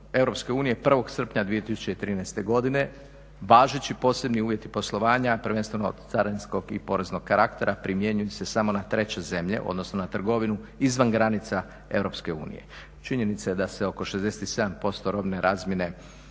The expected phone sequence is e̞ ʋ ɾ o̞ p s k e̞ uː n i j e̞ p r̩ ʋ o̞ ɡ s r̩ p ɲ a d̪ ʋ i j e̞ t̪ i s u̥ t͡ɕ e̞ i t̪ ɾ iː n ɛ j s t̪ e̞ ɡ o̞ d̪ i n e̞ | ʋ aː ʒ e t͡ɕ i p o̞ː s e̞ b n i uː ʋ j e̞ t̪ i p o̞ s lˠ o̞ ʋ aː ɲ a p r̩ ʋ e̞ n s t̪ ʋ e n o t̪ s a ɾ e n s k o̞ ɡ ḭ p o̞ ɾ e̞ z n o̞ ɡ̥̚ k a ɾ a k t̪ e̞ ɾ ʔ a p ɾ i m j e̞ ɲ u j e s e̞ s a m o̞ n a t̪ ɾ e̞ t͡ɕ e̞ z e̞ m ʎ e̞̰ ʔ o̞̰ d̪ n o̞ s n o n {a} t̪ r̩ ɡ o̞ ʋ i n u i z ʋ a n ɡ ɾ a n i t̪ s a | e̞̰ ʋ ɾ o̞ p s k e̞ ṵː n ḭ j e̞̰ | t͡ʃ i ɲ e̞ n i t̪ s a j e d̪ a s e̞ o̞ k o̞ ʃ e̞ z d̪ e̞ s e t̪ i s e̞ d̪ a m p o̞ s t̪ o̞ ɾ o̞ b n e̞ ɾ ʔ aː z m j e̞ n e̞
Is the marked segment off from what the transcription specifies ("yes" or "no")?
no